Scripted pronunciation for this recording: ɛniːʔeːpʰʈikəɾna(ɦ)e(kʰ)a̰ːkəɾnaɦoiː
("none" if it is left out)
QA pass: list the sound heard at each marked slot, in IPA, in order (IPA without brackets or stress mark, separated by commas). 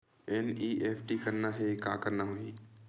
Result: ɦ, k